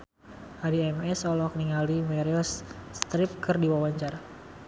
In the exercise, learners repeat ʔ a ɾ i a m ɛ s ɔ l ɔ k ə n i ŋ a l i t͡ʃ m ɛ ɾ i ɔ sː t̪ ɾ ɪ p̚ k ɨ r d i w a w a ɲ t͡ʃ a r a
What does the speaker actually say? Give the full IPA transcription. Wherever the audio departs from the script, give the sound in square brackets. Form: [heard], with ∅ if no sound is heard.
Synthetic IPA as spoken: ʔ a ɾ i [ɛ] m ɛ s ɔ l ɔ k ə n i ŋ a l i [∅] m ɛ ɾ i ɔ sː t̪ ɾ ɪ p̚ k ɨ r d i w a w a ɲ t͡ʃ a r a